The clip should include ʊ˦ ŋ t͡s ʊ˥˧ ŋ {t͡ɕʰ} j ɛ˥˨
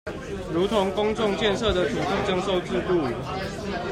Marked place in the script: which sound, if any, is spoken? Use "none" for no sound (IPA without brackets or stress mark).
t͡ɕ